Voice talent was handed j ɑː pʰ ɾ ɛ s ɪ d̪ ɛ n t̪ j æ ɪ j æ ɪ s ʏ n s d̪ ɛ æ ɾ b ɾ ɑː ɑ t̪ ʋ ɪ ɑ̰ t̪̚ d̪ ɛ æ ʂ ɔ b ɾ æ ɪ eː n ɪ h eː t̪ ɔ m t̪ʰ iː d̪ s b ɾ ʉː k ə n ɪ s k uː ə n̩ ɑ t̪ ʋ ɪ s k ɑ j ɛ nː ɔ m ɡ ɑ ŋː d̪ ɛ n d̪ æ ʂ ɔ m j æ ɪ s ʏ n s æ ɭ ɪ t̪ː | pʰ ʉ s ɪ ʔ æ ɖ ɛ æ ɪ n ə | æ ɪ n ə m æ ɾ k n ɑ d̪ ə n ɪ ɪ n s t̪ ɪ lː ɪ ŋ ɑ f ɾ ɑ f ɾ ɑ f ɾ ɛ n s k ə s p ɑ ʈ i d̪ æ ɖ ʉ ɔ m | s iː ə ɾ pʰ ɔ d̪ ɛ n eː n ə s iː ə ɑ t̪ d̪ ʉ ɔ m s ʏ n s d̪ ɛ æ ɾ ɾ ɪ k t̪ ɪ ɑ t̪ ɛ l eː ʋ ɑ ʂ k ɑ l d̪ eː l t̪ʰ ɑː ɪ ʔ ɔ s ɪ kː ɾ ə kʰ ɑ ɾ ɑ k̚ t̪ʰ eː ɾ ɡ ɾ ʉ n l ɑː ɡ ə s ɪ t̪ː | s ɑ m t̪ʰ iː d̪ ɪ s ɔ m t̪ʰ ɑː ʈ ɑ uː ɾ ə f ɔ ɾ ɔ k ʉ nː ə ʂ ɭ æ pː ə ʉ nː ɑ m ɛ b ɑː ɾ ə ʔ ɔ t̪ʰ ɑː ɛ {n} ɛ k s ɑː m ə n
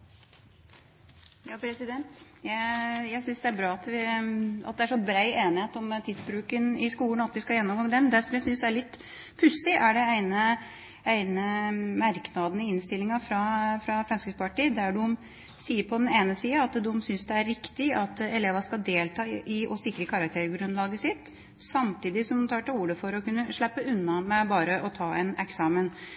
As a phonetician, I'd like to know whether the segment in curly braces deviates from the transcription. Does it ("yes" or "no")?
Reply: no